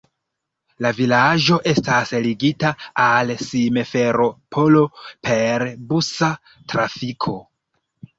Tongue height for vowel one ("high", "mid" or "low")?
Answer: low